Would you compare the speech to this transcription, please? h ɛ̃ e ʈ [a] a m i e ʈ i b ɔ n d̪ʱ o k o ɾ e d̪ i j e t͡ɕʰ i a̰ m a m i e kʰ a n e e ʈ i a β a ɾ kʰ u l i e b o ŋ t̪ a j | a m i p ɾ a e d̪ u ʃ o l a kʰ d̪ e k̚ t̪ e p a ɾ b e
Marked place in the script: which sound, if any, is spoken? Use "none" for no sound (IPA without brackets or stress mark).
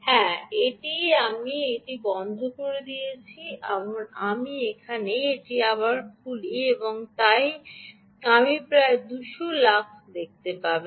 i